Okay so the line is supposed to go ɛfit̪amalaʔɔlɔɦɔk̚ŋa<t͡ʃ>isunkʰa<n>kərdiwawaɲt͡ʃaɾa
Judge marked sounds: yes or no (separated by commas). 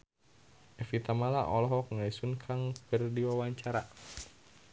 no, no